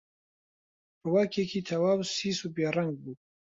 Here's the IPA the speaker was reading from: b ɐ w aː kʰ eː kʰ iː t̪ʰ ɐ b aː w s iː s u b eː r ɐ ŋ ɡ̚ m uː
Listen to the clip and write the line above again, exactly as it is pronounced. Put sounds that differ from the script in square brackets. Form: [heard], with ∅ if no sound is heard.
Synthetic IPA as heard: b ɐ w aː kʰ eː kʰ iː t̪ʰ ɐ [w] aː w s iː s u b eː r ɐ ŋ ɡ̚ [b] uː